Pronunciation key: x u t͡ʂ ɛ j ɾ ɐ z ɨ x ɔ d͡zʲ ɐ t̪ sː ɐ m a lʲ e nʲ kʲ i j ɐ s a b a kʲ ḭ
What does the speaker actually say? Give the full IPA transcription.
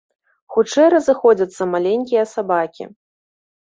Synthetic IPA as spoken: x u t͡ʂ ɛ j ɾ ɐ z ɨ x ɔ d͡zʲ ɐ t̪ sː ɐ m a lʲ e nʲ kʲ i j ɐ s a b a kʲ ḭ